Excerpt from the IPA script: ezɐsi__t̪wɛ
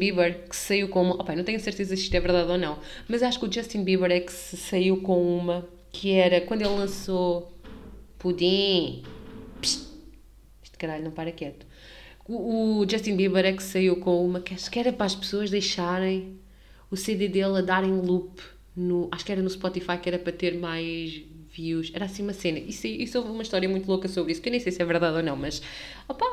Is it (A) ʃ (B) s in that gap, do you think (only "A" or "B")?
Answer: A